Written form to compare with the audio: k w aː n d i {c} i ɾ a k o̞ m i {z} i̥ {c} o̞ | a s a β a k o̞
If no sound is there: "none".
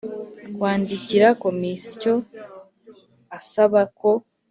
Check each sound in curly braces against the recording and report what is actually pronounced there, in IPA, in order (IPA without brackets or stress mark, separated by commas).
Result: c, s, c